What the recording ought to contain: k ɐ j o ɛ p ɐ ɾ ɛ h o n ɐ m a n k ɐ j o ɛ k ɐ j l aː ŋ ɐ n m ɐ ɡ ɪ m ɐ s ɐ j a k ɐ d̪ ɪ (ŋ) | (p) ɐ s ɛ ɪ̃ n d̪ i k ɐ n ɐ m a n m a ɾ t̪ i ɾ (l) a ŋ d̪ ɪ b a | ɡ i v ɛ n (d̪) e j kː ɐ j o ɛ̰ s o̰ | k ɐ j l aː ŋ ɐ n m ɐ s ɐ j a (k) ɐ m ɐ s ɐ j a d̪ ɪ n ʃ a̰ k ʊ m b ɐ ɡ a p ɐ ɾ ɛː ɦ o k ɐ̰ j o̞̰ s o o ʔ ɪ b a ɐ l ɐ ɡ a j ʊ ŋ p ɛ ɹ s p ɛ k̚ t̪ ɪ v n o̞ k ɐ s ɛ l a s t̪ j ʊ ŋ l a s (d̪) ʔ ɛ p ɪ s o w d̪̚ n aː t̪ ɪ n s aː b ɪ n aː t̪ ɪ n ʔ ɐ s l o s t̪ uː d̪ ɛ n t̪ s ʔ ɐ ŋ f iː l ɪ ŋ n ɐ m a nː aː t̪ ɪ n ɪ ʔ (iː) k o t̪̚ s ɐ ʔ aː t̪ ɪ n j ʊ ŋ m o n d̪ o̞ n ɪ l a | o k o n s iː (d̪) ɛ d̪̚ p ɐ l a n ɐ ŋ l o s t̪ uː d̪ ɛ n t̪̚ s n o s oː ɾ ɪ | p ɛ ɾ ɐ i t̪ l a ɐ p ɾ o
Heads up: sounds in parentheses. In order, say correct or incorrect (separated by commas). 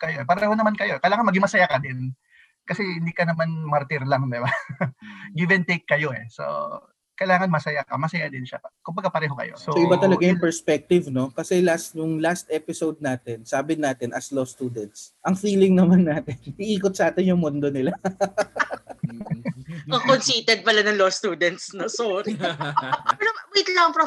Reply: incorrect, incorrect, correct, incorrect, correct, incorrect, correct, incorrect